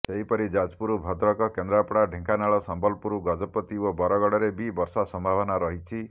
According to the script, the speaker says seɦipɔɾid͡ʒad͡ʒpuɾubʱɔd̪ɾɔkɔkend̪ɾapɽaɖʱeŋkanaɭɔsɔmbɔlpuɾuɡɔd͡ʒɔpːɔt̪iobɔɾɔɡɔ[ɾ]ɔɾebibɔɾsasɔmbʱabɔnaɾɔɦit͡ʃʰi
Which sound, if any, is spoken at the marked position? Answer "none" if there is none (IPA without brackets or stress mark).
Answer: ɽ